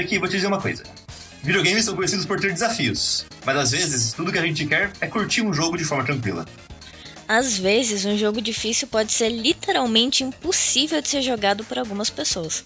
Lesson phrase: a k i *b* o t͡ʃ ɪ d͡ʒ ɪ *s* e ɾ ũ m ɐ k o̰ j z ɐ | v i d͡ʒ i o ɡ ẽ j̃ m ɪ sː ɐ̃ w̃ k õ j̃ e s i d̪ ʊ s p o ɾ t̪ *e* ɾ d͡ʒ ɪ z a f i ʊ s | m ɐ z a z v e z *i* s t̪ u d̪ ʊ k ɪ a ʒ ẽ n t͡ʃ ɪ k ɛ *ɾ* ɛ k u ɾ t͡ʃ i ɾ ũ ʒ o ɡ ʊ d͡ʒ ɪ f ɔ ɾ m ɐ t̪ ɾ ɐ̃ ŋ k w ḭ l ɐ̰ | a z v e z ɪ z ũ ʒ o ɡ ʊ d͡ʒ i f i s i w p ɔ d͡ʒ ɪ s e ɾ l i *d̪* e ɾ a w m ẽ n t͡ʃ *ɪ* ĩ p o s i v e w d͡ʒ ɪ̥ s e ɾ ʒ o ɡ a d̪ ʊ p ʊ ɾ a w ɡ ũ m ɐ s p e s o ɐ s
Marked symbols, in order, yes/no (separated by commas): no, no, yes, no, yes, no, yes